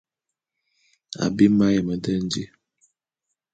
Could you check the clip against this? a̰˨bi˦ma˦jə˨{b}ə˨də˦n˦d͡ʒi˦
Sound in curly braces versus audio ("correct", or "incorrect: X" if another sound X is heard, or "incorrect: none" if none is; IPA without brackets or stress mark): incorrect: m